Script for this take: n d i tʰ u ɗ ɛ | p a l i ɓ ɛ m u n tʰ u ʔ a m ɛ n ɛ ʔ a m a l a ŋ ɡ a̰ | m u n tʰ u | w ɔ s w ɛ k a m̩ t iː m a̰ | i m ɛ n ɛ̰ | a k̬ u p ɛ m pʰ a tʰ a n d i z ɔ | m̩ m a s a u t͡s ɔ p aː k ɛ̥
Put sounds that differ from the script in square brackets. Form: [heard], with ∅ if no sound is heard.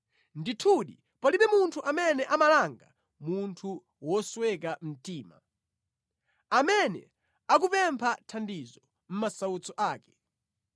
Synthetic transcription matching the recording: n d i tʰ u ɗ [i] | p a l i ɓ ɛ m u n tʰ u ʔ a m ɛ n ɛ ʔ a m a l a ŋ ɡ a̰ | m u n tʰ u | w ɔ s w ɛ k a m̩ t iː m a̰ | [a] m ɛ n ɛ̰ | a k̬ u p ɛ m pʰ a tʰ a n d i z ɔ | m̩ m a s a u t͡s ɔ [ʔ] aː k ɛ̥